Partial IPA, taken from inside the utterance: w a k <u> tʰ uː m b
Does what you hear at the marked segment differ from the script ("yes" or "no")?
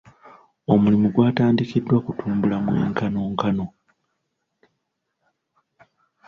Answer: no